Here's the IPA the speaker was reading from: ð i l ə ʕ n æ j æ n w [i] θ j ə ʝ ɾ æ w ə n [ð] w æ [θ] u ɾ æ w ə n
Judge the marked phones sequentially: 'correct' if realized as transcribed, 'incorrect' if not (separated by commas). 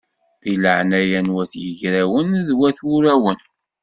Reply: incorrect, correct, correct